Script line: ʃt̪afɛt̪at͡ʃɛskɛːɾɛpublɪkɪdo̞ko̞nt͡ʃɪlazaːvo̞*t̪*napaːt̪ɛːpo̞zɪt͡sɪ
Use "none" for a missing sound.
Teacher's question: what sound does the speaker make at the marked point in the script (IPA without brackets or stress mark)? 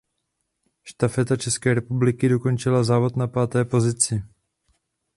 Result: t̪